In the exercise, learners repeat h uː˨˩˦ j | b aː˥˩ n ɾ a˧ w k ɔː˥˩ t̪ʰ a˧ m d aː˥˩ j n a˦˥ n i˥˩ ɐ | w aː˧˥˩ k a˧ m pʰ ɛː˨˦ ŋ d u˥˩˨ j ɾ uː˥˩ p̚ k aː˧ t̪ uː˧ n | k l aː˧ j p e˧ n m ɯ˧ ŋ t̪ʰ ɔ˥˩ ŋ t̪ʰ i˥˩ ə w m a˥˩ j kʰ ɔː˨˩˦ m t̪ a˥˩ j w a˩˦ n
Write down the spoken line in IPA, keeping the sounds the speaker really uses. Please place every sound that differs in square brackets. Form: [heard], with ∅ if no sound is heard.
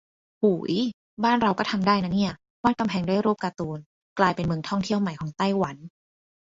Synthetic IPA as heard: h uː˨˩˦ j | b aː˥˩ n ɾ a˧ w k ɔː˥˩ t̪ʰ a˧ m d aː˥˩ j n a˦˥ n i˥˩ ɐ | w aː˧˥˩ k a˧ m pʰ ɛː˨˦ ŋ d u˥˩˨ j ɾ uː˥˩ p̚ k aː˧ t̪ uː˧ n | k l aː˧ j p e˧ n m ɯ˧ ŋ t̪ʰ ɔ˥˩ ŋ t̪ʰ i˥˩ ə w m [a˨˩] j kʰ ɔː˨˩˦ [ŋ] t̪ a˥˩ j w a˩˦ n